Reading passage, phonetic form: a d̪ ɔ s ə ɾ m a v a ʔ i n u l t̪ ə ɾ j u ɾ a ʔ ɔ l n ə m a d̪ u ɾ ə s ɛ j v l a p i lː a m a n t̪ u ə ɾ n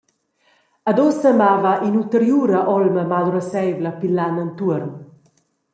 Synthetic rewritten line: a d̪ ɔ s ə m a v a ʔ i n u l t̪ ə ɾ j u ɾ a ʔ ɔ l m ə m a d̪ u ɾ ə s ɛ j v l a p i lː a n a n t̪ u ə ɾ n

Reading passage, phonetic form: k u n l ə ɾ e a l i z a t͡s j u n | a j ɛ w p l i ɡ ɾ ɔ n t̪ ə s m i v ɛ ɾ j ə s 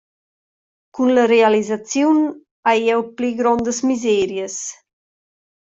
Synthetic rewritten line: k u n l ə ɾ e a l i z a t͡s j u n | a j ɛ w p l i ɡ ɾ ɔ n d̪ ə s m i z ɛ ɾ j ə s

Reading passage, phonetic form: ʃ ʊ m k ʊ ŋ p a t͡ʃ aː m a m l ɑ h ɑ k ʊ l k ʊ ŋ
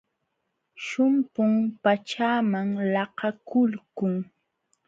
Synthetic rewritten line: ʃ ʊ m p ʊ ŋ p a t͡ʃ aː m a ŋ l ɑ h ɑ k ʊ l k ʊ ŋ

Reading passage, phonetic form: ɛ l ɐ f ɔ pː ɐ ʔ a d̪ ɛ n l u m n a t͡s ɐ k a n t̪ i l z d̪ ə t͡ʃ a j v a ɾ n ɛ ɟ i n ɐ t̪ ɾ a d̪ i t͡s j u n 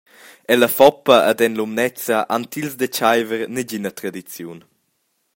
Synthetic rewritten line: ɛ l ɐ f ɔ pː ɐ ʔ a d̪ ɛ n l u m n ɛ t͡s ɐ ʔ a n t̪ i l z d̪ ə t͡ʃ a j v ə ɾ n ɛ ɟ i n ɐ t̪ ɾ a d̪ i t͡s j u n

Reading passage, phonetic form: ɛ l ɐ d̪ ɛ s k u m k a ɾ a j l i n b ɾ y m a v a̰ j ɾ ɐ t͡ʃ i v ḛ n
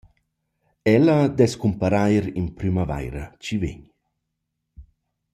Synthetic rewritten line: ɛ l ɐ d̪ ɛ s k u m p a ɾ a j ɾ i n p ɾ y m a v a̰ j ɾ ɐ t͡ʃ i v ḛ ɲ

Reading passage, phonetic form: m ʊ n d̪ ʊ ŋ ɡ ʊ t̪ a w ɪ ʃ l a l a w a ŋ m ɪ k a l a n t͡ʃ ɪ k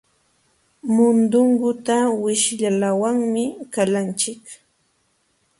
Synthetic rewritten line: m ʊ n d̪ ʊ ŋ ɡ ʊ t̪ a w ɪ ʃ ʎ a l a w a ŋ m ɪ k a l a n t͡ʃ ɪ k

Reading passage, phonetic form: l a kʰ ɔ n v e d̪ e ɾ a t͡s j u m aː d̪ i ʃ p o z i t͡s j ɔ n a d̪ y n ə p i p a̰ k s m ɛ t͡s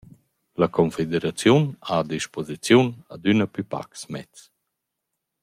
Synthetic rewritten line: l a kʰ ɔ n f e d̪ e ɾ a t͡s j u n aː d̪ i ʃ p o z i t͡s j u n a d̪ y n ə p y p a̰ k s m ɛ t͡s

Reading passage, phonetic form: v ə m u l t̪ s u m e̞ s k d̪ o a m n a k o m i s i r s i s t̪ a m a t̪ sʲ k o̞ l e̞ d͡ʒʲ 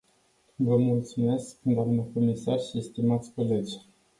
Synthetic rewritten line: v ə m u l t̪ s u m e̞ s k d̪ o a m n ə k o m i s a r ʃ i s t̪ i m a t̪ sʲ k o̞ l e̞ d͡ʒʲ

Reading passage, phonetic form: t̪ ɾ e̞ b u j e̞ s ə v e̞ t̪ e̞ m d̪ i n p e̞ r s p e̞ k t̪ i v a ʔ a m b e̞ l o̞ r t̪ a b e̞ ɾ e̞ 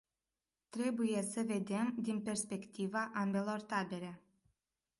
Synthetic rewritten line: t̪ ɾ e̞ b u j e̞ s ə v e̞ d̪ e̞ m d̪ i n p e̞ r s p e̞ k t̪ i v a ʔ a m b e̞ l o̞ r t̪ a b e̞ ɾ e̞

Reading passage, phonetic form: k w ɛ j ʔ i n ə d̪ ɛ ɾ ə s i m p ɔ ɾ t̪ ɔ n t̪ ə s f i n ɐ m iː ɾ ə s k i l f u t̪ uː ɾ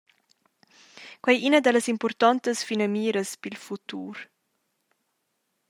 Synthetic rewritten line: k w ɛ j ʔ i n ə d̪ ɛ l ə s i m p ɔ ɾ t̪ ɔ n t̪ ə s f i n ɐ m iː ɾ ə s p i l f u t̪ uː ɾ

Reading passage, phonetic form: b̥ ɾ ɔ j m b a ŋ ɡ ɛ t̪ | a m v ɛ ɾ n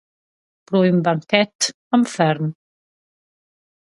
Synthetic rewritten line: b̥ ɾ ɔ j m b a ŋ k ɛ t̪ | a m f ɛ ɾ n

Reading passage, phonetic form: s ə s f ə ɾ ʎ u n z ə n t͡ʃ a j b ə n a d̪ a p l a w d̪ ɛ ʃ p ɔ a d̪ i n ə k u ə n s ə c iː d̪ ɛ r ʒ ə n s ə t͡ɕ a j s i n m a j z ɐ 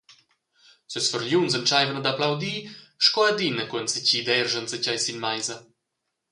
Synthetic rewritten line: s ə s f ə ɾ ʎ u n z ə n t͡ʃ a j v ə n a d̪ a p l a w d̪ i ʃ k ɔ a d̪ i n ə k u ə n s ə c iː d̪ ɛ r ʒ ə n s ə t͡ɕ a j s i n m a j z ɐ

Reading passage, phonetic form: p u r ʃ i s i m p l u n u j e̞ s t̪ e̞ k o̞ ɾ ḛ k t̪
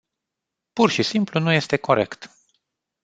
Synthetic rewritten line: p u r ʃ i s i m p l u n u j e̞ s t̪ e̞ k o̞ ɾ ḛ k t̪

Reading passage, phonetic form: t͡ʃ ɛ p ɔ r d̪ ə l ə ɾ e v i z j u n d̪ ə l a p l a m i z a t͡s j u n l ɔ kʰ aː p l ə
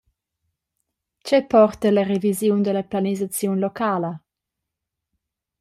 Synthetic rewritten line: t͡ʃ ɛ p ɔ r t̪ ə l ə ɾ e v i z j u n d̪ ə l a p l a n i z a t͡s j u n l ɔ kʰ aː l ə

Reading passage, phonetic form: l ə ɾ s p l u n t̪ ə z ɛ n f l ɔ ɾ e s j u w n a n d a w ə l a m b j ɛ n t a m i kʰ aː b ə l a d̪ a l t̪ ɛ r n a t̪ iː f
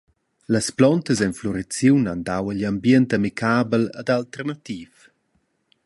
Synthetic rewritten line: l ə s p l ɔ n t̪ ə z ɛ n f l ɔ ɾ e t͡s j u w n a n d a w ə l a m b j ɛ n t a m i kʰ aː b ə l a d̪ a l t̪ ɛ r n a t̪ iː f

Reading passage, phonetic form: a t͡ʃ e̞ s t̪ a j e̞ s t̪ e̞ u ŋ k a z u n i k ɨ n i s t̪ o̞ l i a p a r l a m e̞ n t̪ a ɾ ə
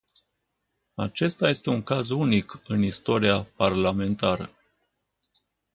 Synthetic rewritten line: a t͡ʃ e̞ s t̪ a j e̞ s t̪ e̞ u ŋ k a z u n i k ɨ n i s t̪ o̞ ɾ i a p a r l a m e̞ n t̪ a ɾ ə

